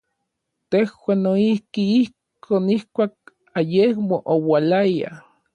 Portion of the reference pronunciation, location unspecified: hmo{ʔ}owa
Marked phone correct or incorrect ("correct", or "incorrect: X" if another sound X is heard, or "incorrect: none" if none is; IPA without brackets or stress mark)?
correct